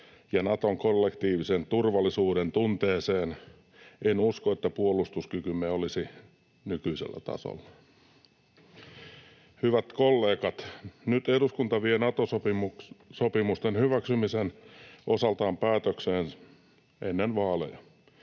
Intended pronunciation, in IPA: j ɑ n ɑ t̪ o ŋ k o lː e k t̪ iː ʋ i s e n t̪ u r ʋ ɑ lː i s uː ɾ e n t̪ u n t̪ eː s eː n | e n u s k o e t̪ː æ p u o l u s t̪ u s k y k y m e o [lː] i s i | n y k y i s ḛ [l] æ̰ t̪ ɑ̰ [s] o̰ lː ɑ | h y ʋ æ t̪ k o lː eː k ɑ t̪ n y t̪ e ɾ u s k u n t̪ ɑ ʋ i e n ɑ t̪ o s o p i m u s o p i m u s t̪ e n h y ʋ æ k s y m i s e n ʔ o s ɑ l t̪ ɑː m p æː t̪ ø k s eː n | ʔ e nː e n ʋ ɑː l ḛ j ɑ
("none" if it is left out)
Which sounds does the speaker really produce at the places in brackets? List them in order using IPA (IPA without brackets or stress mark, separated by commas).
l, lː, s